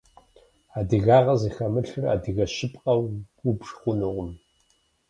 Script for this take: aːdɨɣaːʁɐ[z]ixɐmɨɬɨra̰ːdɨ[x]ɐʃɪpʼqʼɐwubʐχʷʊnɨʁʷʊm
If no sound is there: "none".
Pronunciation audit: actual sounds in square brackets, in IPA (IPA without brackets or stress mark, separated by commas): z, ɣ